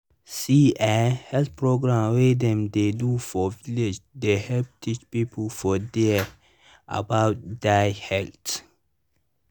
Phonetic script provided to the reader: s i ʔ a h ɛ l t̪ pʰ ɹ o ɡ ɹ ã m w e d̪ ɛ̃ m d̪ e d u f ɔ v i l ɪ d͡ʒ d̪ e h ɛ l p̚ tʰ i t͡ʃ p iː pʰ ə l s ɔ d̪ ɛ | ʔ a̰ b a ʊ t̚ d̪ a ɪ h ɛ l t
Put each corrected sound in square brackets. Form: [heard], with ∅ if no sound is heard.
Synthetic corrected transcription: s i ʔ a h ɛ l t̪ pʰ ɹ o ɡ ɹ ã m w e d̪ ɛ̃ m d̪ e d u f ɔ v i l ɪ d͡ʒ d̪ e h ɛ l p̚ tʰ i t͡ʃ p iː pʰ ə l [f] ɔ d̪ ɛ | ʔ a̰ b a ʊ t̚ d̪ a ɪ h ɛ l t